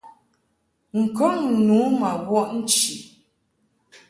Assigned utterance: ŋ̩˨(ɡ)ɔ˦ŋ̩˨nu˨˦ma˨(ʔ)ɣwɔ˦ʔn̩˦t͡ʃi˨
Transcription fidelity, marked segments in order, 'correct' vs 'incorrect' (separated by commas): incorrect, incorrect